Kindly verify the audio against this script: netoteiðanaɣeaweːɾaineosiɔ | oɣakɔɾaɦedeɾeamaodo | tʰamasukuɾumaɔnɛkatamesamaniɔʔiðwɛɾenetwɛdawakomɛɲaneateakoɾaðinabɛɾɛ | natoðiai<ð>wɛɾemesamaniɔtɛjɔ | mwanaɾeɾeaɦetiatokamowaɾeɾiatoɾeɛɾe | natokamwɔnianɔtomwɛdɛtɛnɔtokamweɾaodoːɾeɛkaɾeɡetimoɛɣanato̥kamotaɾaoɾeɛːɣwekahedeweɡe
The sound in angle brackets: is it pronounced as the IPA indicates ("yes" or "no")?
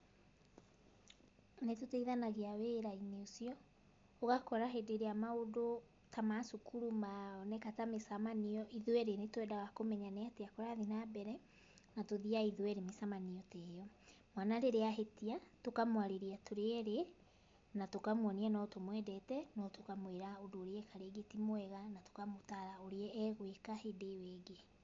yes